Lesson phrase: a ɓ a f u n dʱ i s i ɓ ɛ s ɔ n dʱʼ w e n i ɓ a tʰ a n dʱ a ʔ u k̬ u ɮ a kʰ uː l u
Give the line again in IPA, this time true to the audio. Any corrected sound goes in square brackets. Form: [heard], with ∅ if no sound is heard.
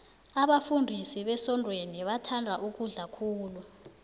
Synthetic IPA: a ɓ a f u n dʱ i s i ɓ ɛ s ɔ n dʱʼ w e n i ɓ a tʰ a n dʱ a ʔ u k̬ u ɮ a kʰ uː l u